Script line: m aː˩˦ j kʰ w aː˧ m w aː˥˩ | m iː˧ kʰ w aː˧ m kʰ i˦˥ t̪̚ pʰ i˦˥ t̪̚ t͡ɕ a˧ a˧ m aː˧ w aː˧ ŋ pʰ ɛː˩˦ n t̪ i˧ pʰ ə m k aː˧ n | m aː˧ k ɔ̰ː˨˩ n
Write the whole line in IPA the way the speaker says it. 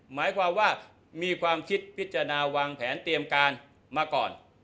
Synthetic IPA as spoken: m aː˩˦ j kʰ w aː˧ m w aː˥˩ | m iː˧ kʰ w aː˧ m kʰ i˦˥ t̪̚ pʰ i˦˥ t̪̚ t͡ɕ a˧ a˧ n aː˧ w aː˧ ŋ pʰ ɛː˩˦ n t̪ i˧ ə m k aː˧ n | m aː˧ k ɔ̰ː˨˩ n